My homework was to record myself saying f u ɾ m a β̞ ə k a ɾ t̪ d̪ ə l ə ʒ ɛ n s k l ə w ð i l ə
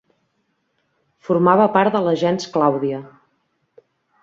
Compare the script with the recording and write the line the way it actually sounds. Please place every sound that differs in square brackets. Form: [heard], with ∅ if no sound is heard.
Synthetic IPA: f u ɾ m a β̞ ə [p] a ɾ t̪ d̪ ə l ə ʒ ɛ n s k l [a] w ð i [∅] ə